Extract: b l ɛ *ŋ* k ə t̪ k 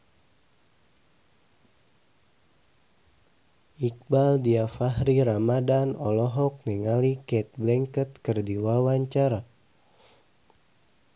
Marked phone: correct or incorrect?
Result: correct